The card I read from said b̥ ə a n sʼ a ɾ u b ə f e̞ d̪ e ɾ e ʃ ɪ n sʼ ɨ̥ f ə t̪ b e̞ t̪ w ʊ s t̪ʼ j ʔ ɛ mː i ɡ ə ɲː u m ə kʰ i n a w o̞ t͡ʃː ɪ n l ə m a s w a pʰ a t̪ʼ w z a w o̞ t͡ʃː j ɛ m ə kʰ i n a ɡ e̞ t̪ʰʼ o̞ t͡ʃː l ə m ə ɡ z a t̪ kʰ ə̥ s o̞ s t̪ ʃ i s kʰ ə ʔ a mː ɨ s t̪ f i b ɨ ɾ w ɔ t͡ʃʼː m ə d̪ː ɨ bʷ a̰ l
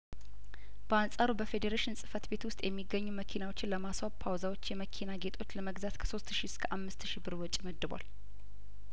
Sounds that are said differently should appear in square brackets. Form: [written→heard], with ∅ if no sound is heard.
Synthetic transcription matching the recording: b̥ ə a n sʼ a ɾ u b ə f e̞ d̪ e ɾ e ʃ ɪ n sʼ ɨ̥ f ə t̪ b e̞ t̪ w ʊ s t̪ʼ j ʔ ɛ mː i ɡ ə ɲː u m ə kʰ i n a w o̞ t͡ʃː ɪ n l ə m a s w a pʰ a [t̪ʼ→∅] w z a w o̞ t͡ʃː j ɛ m ə kʰ i n a ɡ e̞ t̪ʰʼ o̞ t͡ʃː l ə m ə ɡ z a t̪ kʰ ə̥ s o̞ s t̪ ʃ i s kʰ ə ʔ a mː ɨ s t̪ [f→ʃ] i b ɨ ɾ w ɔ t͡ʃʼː m ə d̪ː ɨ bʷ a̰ l

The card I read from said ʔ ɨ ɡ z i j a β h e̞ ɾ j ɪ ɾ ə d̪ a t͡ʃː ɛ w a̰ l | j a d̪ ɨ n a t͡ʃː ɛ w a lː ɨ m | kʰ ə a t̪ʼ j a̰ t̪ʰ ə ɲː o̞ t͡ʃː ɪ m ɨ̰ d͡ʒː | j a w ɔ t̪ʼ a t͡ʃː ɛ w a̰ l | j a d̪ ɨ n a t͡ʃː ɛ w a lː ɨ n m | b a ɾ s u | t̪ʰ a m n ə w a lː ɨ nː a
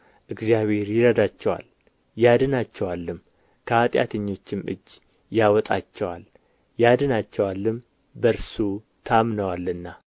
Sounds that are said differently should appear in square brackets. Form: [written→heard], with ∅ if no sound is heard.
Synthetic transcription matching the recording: ʔ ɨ ɡ z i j a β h e̞ ɾ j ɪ ɾ ə d̪ a t͡ʃː ɛ w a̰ l | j a d̪ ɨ n a t͡ʃː ɛ w a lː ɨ m | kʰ ə a t̪ʼ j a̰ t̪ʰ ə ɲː o̞ t͡ʃː ɪ m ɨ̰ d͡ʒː | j a w ɔ t̪ʼ a t͡ʃː ɛ w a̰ l | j a d̪ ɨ n a t͡ʃː ɛ w a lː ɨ [n→∅] m | b [a→ə] ɾ s u | t̪ʰ a m n ə w a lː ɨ nː a

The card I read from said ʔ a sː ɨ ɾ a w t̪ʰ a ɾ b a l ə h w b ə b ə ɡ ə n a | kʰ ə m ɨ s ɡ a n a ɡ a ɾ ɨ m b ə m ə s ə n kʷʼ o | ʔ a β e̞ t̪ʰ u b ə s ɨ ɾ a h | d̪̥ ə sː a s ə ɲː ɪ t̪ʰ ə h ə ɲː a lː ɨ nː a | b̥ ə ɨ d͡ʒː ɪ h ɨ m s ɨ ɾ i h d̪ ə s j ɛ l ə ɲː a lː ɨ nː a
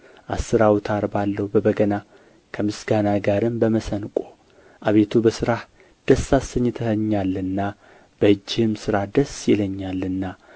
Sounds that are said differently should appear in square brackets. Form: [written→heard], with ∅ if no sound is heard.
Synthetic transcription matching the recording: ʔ a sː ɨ ɾ a w t̪ʰ a ɾ b a [l→lː] ə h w b ə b ə ɡ ə n a | kʰ ə m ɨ s ɡ a n a ɡ a ɾ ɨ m b ə m ə s ə n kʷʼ o | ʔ a β e̞ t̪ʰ u b ə s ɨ ɾ a h | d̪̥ ə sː a s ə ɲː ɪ t̪ʰ ə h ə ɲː a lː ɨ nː a | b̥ ə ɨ d͡ʒː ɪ h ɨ m s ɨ ɾ [i→a] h d̪ ə s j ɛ l ə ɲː a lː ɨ nː a

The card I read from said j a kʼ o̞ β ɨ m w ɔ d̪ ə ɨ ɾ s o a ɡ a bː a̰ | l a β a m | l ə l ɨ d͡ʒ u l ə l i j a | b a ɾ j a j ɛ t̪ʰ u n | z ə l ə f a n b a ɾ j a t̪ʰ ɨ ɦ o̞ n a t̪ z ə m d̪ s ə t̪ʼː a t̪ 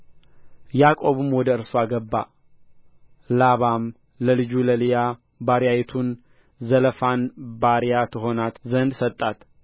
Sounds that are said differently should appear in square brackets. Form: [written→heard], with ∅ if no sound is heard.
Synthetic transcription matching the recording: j a kʼ o̞ β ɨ m w ɔ d̪ ə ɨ ɾ s o a ɡ [a→ə] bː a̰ | l a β a m | l ə l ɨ d͡ʒ u l ə l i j a | b a ɾ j a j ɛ t̪ʰ u n | z ə l ə f a n b a ɾ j a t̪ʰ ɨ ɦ o̞ n a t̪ z ə [m→n] d̪ s ə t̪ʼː a t̪

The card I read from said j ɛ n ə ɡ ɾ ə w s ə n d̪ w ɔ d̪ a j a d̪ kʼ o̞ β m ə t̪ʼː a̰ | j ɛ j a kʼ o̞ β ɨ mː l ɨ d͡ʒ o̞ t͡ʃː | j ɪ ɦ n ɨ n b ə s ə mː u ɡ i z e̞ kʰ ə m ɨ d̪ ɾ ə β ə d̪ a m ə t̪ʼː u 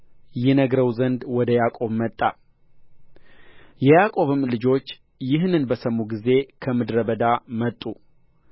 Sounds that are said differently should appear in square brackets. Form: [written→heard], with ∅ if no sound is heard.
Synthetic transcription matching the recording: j ɛ n ə ɡ ɾ ə w [s→z] ə n d̪ w ɔ d̪ [a→ə] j a [d̪→∅] kʼ o̞ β m ə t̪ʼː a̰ | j ɛ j a kʼ o̞ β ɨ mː l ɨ d͡ʒ o̞ t͡ʃː | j ɪ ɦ n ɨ n b ə s ə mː u ɡ i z e̞ kʰ ə m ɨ d̪ ɾ ə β ə d̪ a m ə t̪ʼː u

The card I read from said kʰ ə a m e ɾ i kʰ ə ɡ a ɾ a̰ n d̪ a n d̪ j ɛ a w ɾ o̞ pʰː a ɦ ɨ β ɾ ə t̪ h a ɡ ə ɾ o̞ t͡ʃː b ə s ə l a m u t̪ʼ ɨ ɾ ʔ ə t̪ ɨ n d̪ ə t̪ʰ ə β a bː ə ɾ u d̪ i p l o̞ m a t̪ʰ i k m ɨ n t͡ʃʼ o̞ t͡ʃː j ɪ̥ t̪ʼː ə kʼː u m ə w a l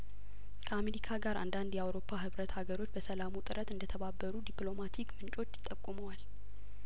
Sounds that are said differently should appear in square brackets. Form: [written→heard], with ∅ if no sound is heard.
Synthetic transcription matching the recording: kʰ ə a m e ɾ i kʰ [ə→a] ɡ a ɾ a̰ n d̪ a n d̪ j ɛ a w ɾ o̞ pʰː a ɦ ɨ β ɾ ə t̪ h a ɡ ə ɾ o̞ t͡ʃː b ə s ə l a m u t̪ʼ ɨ ɾ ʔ ə t̪ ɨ n d̪ ə t̪ʰ ə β a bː ə ɾ u d̪ i p l o̞ m a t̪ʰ i k m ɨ n t͡ʃʼ o̞ t͡ʃː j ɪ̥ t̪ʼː ə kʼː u m ə w a l

